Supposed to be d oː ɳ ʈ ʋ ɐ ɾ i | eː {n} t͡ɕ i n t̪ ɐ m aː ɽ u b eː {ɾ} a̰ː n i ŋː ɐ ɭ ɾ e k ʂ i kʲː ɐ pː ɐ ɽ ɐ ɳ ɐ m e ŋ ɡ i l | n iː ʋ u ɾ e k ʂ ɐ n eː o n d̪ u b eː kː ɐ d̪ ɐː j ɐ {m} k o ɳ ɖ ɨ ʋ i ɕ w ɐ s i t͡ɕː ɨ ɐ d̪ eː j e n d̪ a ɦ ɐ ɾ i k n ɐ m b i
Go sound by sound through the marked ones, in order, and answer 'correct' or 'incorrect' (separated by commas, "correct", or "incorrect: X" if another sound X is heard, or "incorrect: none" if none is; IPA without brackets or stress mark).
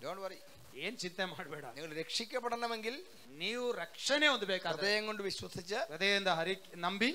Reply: correct, incorrect: ɽ, incorrect: ŋ